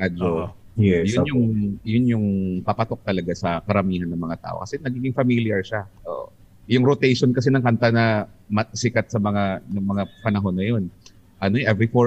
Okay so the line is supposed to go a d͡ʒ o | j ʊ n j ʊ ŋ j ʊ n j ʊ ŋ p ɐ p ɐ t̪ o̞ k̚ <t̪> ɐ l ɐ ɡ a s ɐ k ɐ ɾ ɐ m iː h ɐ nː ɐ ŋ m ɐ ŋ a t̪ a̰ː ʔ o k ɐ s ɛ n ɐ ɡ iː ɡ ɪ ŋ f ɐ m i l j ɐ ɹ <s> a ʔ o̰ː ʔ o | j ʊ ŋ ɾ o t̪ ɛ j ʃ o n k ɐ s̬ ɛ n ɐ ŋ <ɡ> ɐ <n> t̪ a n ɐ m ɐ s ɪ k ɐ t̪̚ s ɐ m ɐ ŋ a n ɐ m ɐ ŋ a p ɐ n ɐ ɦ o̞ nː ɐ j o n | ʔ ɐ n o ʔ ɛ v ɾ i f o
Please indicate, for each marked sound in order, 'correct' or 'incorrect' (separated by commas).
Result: correct, incorrect, incorrect, correct